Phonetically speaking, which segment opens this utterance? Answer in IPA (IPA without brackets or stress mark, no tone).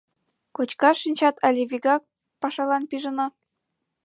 k